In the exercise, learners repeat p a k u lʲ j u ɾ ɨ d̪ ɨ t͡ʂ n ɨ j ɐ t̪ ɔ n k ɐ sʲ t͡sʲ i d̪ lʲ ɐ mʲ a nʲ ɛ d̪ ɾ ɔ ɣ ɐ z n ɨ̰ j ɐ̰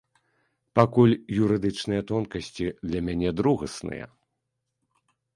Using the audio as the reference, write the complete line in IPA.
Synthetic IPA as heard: p a k u lʲ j u ɾ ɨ d̪ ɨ t͡ʂ n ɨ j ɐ t̪ ɔ n k ɐ sʲ t͡sʲ i d̪ lʲ ɐ mʲ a nʲ ɛ d̪ ɾ u ɣ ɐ s n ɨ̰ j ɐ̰

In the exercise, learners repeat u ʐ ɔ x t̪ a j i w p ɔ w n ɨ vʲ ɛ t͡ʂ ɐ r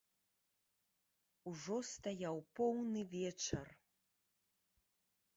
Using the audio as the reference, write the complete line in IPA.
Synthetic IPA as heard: u ʐ ɔ s t̪ a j a w p ɔ w n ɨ vʲ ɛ t͡ʂ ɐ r

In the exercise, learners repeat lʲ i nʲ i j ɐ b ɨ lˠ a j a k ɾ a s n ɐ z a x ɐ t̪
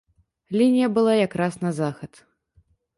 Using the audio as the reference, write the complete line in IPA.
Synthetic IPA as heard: lʲ i nʲ i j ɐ b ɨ lˠ a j a k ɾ a s n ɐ z a x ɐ t̪

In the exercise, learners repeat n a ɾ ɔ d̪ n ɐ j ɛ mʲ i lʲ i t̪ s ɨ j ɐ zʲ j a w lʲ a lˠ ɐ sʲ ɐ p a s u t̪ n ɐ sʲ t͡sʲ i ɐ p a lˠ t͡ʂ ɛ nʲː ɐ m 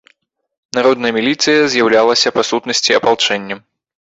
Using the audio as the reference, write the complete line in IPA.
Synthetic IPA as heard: n a ɾ ɔ d̪ n ɐ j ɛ mʲ i lʲ i t̪ s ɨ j ɐ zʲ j a w lʲ a lˠ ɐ sʲ ɐ p a s u t̪ n ɐ sʲ t͡sʲ i ɐ p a lˠ t͡ʂ ɛ nʲː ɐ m

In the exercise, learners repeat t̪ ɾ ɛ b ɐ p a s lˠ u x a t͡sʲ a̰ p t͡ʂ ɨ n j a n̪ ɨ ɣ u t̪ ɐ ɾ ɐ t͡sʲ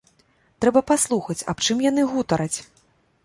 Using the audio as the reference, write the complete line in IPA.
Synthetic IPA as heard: t̪ ɾ ɛ b ɐ p a s lˠ u x ɐ t͡sʲ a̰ p t͡ʂ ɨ m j a n̪ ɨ ɣ u t̪ ɐ ɾ ɐ t͡sʲ

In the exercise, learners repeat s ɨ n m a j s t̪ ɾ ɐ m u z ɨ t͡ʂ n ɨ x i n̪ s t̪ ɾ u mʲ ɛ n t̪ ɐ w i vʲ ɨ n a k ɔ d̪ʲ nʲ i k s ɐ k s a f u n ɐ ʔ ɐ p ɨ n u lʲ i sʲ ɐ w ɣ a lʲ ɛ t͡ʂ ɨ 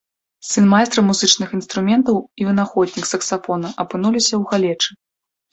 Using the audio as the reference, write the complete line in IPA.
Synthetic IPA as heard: s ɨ n m a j s t̪ ɾ ɐ m u z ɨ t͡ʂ n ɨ x i n̪ s t̪ ɾ u mʲ ɛ n t̪ ɐ w i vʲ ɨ n a x ɔ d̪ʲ nʲ i k s ɐ k s a f ɔ n ɐ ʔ ɐ p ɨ n u lʲ i sʲ ɐ w ɣ a lʲ ɛ t͡ʂ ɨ

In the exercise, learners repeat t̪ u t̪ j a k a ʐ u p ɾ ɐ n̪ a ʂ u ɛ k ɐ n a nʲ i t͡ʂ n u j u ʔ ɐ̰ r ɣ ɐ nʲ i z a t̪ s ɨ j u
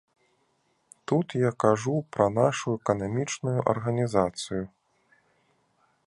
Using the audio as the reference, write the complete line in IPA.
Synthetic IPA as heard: t̪ u t̪ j a k a ʐ u p ɾ ɐ n̪ a ʂ u ɛ k ɐ n a mʲ i t͡ʂ n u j u ʔ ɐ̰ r ɣ ɐ nʲ i z a t̪ s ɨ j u

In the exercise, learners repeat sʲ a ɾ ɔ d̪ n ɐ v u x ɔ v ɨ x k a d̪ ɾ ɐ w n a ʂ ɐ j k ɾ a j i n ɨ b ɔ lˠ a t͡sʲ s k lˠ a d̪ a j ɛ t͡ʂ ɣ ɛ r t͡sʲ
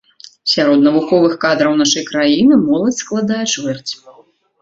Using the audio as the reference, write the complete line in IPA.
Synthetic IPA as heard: sʲ a ɾ ɔ d̪ n ɐ v u x ɔ v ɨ x k a d̪ ɾ ɐ w n a ʂ ɐ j k ɾ a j i n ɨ m ɔ lˠ ɐ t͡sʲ s k lˠ a d̪ a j ɛ t͡ʂ v ɛ r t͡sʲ

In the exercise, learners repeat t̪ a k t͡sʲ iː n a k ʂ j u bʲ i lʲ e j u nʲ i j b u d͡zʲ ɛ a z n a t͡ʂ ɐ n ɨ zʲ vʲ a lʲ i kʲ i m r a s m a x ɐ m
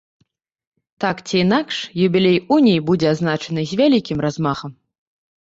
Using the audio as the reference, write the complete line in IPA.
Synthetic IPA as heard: t̪ a k t͡sʲ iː n a k ʂ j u bʲ i lʲ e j u nʲ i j b u d͡zʲ ɛ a z n a t͡ʂ ɐ n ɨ zʲ vʲ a lʲ i kʲ i m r a z m a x ɐ m

